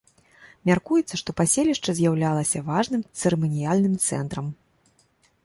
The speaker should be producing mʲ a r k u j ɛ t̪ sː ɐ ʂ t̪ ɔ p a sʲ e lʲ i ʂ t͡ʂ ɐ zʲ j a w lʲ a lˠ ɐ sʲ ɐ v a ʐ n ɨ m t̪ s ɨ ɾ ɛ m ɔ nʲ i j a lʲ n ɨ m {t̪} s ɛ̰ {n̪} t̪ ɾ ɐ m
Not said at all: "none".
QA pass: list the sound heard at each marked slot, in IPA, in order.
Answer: t̪, n̪

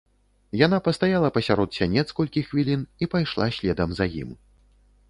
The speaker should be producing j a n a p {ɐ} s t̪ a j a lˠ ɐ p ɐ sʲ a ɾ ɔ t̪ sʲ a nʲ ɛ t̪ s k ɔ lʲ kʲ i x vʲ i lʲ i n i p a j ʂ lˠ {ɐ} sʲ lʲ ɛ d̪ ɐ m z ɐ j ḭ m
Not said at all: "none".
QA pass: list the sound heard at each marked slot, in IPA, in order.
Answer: ɐ, a

